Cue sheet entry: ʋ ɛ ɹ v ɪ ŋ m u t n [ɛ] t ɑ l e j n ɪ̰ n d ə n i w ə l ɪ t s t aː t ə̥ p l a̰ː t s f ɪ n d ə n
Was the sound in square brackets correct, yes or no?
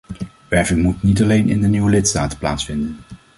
no